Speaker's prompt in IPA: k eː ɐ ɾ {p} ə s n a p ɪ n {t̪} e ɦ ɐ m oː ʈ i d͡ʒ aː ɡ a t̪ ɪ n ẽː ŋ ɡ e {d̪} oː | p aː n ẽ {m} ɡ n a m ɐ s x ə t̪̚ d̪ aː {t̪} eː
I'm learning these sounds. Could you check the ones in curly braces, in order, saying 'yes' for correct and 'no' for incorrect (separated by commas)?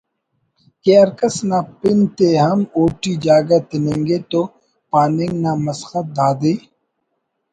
no, yes, no, no, no